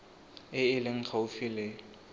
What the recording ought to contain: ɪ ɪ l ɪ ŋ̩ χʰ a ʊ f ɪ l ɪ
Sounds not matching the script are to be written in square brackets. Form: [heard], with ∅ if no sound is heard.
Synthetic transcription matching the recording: ɪ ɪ l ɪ ŋ̩ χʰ a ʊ f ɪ l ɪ

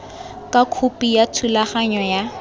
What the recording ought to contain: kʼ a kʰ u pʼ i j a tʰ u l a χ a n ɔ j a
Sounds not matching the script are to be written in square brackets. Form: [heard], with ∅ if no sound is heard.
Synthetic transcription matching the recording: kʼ a kʰ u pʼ i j a tʰ u l a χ a [ɲ] ɔ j a

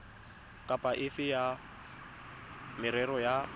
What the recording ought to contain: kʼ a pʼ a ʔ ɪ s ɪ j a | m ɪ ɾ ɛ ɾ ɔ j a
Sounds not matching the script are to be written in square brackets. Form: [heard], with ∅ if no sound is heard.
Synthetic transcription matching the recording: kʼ a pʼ a ʔ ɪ [f] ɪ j a | m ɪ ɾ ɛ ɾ ɔ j a

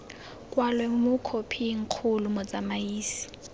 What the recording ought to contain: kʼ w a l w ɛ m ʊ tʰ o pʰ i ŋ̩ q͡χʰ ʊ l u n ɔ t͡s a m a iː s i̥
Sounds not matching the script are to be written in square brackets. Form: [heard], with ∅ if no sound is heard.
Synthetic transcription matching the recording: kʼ w a l w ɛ m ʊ [kʰ] o pʰ i ŋ̩ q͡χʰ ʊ l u [m] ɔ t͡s a m a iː s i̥

